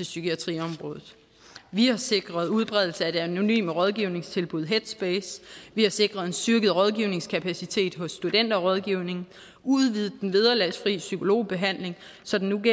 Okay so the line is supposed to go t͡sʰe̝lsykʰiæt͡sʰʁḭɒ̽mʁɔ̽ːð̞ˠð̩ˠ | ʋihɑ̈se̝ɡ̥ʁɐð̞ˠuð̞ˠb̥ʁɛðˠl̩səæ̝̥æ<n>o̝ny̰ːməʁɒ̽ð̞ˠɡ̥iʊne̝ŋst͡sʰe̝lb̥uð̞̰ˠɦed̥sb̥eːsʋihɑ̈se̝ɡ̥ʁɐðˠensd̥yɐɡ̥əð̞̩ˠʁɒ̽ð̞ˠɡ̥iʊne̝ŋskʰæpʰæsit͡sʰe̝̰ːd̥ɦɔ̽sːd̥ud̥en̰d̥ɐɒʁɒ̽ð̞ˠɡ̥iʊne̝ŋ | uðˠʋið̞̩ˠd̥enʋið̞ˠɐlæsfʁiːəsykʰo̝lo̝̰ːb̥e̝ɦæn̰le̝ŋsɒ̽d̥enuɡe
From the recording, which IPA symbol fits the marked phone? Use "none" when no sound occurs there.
n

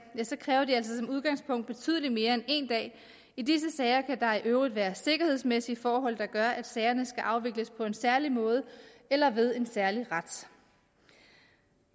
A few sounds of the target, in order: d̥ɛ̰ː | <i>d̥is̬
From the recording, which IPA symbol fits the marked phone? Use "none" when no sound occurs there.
i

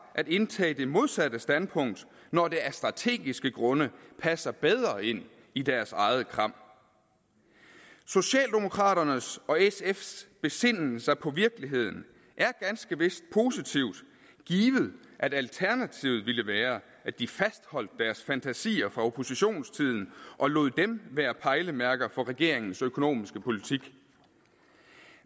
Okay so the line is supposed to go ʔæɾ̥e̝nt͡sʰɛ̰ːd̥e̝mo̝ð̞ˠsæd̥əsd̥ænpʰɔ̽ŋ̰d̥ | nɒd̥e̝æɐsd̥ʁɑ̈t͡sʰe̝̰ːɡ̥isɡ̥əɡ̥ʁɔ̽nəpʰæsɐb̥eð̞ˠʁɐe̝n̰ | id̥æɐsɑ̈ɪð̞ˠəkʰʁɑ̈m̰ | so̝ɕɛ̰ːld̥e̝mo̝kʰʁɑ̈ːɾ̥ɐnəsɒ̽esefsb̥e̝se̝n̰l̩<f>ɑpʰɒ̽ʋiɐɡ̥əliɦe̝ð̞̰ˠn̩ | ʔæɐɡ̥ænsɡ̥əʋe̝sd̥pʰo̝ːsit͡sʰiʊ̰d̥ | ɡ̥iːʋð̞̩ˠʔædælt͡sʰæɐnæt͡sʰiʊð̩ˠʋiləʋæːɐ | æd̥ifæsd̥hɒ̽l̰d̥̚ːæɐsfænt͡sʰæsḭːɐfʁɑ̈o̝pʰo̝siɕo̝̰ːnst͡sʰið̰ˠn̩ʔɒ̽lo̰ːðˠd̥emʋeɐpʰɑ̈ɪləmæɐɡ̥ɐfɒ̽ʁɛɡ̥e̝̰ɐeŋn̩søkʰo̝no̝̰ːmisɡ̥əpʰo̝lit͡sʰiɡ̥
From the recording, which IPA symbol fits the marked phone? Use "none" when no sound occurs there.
s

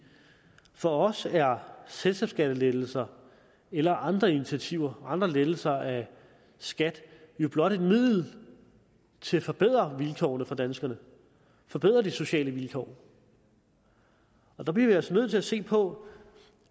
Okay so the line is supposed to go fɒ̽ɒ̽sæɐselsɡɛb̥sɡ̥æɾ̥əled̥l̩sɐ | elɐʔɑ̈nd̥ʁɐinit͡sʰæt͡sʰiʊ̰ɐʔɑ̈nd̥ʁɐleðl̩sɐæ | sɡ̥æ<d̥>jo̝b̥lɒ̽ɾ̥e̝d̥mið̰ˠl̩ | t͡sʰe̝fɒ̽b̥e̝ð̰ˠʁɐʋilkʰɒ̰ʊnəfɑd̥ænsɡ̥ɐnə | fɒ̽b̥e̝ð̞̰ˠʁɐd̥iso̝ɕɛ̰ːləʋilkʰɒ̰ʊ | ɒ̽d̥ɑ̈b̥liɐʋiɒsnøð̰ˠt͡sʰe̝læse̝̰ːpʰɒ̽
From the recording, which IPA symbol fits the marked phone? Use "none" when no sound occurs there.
d̥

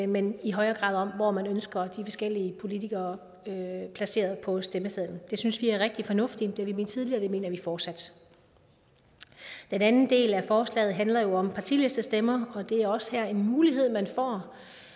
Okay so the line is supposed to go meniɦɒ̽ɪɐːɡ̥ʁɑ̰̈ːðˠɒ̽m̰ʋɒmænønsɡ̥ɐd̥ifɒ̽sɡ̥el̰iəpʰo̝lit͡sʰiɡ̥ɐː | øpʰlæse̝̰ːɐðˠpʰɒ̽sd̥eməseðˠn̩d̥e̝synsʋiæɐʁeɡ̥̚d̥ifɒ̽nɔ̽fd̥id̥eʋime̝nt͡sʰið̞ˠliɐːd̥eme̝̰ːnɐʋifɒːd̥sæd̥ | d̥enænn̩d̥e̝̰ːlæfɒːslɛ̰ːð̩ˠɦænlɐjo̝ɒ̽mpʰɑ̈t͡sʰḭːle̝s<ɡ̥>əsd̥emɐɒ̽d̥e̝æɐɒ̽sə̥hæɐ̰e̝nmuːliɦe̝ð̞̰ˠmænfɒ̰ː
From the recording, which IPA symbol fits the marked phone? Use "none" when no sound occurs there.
d̥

